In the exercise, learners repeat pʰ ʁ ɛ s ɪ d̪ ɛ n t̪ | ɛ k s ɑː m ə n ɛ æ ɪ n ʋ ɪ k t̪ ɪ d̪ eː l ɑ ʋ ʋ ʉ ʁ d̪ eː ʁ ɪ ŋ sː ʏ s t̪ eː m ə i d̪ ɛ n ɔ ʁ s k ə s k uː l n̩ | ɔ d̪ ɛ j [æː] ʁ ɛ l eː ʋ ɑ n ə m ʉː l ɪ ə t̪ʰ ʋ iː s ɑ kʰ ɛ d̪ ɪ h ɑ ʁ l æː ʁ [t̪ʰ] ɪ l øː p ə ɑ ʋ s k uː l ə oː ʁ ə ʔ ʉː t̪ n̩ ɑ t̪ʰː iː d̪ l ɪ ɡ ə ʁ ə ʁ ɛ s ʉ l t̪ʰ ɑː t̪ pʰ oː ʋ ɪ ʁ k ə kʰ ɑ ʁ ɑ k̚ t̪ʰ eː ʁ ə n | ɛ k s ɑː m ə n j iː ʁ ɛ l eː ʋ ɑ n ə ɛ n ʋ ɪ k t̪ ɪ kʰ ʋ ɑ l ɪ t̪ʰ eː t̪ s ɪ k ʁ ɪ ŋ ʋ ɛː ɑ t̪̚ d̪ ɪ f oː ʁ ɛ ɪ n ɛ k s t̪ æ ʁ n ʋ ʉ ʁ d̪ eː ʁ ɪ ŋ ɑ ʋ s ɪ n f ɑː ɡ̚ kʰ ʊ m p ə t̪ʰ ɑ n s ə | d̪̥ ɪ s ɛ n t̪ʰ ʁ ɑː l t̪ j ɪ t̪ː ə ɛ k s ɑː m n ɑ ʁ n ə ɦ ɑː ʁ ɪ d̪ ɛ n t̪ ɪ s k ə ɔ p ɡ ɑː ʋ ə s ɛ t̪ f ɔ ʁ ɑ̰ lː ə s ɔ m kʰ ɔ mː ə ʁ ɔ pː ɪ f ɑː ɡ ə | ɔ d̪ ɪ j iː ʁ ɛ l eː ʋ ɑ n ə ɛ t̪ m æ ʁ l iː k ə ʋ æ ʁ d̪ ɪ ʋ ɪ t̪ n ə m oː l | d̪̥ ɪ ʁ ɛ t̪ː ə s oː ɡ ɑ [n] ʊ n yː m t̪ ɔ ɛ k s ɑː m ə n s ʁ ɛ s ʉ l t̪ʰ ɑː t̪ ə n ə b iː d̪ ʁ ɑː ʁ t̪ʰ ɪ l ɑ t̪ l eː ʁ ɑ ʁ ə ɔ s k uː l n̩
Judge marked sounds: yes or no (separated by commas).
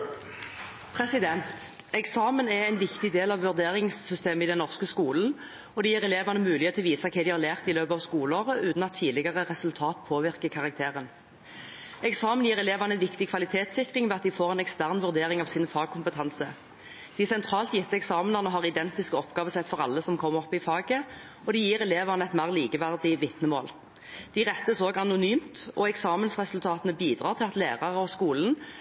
no, no, yes